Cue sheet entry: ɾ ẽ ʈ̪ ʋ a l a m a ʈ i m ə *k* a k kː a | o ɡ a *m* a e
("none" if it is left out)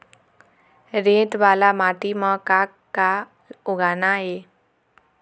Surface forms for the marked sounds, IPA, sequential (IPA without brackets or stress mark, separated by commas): k, n